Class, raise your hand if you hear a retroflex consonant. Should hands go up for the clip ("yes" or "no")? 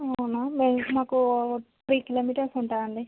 yes